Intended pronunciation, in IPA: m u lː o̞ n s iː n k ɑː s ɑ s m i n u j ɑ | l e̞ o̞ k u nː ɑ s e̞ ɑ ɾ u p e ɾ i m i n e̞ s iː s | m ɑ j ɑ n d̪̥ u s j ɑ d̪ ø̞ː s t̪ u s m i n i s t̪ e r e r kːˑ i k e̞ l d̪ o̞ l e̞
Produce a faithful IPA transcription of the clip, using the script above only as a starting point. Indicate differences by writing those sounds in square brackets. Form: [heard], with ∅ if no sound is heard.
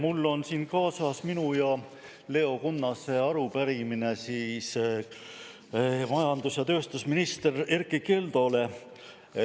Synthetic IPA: m u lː o̞ n s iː n k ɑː s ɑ s m i n u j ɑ | l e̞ o̞ k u nː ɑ s e̞ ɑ ɾ u p [æ] ɾ i m i n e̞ s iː s | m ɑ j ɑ n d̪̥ u s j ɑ [t̪] ø̞ː s t̪ u s m i n i s t̪ e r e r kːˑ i k e̞ l d̪ o̞ l e̞